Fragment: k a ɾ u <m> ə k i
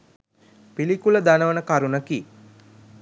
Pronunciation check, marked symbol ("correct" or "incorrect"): incorrect